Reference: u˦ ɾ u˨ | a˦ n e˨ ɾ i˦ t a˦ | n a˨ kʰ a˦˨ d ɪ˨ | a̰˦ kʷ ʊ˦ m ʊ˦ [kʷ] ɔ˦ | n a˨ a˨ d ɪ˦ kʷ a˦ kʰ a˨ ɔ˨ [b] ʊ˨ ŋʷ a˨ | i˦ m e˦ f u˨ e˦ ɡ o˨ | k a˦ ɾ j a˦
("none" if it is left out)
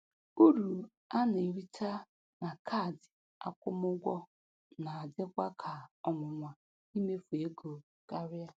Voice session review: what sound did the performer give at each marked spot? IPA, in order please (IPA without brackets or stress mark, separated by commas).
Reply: ɡʷ, m